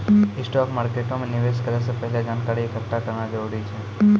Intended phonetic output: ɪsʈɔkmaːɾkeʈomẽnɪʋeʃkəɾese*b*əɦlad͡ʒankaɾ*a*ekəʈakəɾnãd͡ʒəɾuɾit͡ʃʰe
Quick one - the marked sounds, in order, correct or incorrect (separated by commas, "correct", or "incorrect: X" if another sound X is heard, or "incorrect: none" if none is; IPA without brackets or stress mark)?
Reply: incorrect: p, incorrect: i